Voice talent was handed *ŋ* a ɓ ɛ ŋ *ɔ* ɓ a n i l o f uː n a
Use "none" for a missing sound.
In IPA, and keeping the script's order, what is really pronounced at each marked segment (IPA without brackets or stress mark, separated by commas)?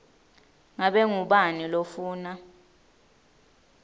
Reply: ŋ, u